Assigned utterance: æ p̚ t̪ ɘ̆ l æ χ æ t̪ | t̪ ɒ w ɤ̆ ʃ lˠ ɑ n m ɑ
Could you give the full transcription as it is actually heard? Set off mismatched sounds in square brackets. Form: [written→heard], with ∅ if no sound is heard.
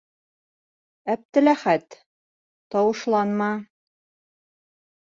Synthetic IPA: æ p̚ t̪ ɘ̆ l æ χ æ t̪ | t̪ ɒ w ɤ̆ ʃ lˠ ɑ n m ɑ